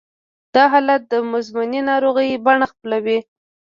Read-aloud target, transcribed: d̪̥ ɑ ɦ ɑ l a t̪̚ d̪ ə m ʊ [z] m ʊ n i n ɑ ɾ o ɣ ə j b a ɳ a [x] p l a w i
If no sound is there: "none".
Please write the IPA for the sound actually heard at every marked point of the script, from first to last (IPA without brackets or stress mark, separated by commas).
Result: z, x